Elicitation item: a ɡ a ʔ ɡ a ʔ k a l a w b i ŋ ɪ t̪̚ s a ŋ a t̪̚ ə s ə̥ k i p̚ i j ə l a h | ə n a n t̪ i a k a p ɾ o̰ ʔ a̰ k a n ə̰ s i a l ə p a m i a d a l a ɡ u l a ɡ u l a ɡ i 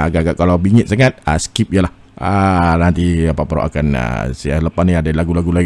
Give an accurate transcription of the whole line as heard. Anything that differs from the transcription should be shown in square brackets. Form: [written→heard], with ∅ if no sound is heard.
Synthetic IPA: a ɡ a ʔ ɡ a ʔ k a l a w b i ŋ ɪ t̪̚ s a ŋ a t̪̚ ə s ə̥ k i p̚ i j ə l a h | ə n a n t̪ i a [k→p] a p ɾ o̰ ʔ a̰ k a n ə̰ s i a l ə p a [m→n] i a d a l a ɡ u l a ɡ u l a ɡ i